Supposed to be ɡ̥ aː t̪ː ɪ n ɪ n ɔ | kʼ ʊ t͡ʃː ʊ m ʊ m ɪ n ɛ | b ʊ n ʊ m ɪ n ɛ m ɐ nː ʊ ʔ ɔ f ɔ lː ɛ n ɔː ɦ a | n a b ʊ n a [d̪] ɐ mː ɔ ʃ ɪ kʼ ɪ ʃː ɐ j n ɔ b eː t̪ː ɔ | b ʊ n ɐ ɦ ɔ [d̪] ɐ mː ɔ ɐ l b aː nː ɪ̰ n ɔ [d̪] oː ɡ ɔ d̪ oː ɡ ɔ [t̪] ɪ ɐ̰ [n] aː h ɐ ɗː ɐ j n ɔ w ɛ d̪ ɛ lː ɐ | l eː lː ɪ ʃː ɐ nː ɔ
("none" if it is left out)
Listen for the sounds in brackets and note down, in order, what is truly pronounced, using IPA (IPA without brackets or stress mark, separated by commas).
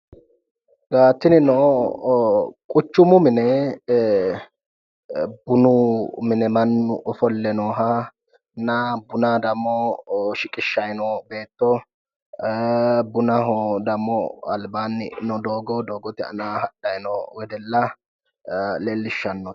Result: d̪, d̪, d̪, t̪, n